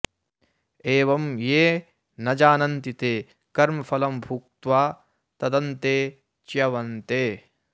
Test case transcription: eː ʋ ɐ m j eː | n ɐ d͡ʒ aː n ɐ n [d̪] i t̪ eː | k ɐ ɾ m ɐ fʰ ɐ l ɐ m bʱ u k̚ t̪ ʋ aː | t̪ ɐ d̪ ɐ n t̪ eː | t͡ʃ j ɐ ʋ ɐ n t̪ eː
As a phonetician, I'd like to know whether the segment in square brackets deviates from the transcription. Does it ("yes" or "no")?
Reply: yes